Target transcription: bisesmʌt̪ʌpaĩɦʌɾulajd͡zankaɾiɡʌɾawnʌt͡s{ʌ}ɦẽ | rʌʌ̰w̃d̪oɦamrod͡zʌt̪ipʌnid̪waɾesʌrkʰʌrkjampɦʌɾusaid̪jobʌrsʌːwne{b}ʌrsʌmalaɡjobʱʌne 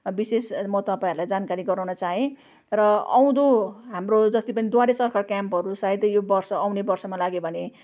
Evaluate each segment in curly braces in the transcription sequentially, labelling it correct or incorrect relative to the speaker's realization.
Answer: incorrect, correct

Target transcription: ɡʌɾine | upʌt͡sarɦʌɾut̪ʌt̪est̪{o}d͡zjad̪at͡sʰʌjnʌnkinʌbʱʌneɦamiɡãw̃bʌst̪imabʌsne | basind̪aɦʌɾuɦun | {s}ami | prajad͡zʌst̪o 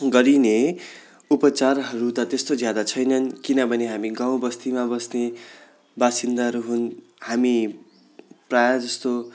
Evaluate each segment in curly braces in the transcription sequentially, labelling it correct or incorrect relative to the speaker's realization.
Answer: correct, incorrect

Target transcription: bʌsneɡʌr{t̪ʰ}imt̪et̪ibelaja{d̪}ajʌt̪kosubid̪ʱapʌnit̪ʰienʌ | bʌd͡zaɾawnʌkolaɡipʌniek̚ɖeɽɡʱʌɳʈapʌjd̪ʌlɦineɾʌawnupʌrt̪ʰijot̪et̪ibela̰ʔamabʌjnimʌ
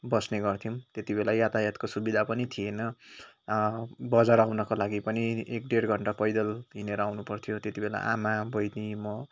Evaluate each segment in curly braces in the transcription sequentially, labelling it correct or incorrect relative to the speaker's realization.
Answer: correct, incorrect

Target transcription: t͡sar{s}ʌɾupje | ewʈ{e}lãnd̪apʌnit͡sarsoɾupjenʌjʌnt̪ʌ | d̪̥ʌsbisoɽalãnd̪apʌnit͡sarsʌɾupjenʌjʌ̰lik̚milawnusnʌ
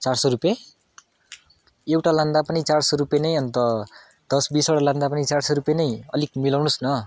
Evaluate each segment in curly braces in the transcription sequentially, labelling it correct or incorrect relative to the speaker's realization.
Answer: correct, incorrect

